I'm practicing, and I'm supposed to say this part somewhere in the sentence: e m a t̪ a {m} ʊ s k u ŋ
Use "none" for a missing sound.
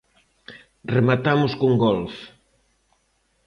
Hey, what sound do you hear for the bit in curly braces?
m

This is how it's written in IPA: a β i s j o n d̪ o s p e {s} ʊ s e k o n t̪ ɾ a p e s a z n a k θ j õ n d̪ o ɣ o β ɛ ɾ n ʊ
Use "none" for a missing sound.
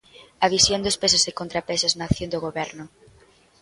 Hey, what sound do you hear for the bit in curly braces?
s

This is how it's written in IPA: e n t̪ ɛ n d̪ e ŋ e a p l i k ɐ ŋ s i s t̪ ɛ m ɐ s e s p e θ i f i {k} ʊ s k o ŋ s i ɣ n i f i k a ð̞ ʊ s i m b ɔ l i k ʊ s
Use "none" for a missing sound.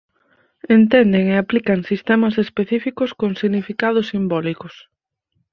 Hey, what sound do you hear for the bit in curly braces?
k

